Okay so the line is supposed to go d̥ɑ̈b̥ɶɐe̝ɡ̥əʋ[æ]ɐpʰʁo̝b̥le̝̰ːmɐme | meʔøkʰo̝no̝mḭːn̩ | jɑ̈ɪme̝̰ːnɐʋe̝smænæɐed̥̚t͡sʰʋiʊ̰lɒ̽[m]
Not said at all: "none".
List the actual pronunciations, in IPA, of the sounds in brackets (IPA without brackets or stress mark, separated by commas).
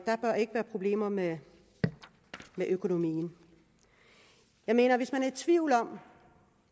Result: æː, m